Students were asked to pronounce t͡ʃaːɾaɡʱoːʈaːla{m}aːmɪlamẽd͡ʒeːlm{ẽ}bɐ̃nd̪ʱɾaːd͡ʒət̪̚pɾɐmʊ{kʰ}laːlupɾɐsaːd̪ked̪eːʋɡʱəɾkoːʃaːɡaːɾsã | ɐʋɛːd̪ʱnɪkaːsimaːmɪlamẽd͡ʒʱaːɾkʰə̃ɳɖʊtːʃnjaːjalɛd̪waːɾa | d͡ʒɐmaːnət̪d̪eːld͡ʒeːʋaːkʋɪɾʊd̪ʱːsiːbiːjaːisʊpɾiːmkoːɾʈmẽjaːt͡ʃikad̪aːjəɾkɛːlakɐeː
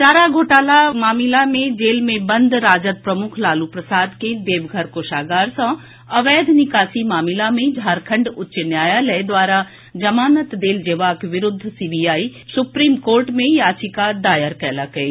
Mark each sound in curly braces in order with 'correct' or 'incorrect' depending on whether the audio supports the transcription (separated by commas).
correct, correct, correct